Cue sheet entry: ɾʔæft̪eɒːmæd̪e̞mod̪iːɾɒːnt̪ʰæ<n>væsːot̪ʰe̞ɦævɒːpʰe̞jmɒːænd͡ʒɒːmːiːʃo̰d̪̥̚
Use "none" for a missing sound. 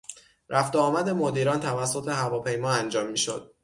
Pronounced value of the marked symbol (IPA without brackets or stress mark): none